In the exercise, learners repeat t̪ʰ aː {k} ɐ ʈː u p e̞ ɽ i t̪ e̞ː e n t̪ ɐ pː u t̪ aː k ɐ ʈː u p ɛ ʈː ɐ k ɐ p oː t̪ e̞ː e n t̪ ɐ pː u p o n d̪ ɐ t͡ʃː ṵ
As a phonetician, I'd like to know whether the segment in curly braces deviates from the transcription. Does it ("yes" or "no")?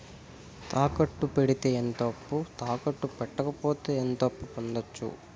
no